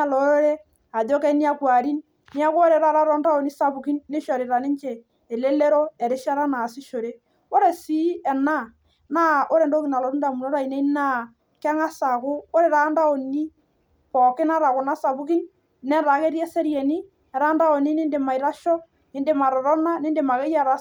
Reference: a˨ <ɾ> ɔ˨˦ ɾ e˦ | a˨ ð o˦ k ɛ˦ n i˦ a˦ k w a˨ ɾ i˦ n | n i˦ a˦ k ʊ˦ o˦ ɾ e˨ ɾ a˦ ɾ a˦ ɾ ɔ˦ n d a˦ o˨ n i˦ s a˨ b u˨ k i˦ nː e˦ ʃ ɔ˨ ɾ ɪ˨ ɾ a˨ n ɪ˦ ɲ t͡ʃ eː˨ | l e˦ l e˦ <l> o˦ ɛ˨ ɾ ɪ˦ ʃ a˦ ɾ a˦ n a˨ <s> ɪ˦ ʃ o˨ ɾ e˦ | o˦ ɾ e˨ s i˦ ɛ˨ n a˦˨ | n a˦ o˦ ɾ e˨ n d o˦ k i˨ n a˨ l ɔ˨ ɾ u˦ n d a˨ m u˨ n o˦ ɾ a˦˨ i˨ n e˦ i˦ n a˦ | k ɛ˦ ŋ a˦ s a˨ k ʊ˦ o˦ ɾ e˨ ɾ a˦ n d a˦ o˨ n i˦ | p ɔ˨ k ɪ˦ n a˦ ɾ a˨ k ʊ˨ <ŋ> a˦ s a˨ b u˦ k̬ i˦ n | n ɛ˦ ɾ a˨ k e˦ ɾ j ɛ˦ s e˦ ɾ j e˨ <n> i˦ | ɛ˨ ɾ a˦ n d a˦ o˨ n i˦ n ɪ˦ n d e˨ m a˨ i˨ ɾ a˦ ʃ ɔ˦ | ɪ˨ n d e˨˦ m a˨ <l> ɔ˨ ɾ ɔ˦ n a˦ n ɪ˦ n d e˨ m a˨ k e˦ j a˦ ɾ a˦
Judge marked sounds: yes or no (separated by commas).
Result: no, no, yes, no, yes, no